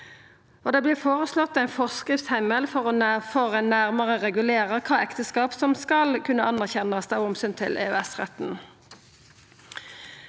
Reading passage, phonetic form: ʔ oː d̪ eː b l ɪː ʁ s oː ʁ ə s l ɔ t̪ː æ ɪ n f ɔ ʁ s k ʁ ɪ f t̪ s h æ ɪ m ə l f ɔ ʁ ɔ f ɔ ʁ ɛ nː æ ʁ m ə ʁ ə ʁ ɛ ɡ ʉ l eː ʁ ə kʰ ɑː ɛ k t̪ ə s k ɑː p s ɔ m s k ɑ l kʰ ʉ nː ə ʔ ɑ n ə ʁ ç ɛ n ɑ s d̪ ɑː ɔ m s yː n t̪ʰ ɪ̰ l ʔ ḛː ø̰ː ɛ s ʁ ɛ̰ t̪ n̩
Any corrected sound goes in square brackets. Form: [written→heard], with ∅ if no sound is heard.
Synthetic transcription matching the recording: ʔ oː d̪ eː b l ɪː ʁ [s→f] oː ʁ ə s l ɔ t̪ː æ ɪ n f ɔ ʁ s k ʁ ɪ f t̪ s h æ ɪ m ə l f ɔ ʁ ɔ f ɔ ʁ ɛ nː æ ʁ m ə ʁ ə ʁ ɛ ɡ ʉ l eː ʁ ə kʰ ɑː ɛ k t̪ ə s k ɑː p s ɔ m s k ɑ l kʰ ʉ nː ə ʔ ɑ n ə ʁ ç ɛ n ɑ s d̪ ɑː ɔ m s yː n t̪ʰ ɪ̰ l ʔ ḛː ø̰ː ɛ s ʁ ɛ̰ t̪ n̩